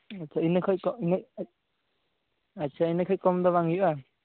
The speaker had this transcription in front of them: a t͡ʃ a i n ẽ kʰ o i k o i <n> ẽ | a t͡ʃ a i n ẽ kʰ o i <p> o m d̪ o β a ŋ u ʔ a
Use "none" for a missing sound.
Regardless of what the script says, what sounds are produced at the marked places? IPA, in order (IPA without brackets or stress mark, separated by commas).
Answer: n, k